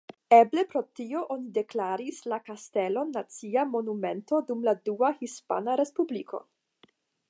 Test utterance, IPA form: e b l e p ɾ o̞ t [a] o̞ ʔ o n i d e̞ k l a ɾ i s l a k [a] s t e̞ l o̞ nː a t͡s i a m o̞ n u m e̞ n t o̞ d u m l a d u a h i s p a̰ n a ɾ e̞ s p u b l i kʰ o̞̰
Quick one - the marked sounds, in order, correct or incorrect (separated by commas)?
incorrect, correct